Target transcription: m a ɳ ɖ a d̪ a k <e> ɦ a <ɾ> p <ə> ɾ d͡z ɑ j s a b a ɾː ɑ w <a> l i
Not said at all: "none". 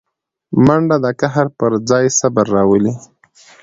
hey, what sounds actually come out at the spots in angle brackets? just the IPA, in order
a, ɾ, ə, ə

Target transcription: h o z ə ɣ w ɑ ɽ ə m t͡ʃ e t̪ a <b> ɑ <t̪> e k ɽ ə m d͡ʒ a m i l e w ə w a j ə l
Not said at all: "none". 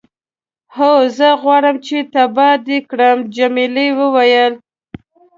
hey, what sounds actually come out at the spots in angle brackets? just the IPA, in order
b, d̪

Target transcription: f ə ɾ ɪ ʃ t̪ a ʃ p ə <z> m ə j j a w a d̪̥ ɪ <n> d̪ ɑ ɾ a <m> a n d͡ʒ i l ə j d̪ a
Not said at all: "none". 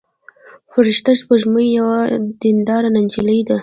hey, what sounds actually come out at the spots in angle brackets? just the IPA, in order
ʒ, n, n

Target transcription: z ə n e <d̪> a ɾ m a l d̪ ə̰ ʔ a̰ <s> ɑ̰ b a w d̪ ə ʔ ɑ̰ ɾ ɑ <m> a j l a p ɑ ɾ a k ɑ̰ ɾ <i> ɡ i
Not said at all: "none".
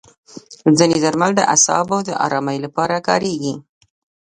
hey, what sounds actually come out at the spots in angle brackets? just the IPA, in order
d̪, s, m, e

